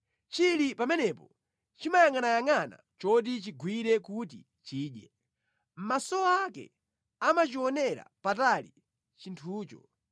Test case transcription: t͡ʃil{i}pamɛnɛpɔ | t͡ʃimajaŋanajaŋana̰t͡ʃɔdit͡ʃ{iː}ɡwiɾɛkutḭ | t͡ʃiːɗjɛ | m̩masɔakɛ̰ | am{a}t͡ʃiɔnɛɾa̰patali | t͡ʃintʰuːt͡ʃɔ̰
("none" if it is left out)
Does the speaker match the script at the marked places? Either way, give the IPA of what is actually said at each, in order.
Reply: i, i, a

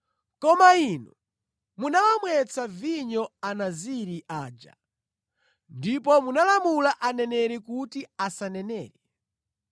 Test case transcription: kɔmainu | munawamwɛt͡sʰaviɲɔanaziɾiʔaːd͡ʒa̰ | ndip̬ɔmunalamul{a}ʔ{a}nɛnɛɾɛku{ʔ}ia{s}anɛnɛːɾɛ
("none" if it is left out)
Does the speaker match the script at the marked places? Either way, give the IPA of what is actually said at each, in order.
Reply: a, a, t, s

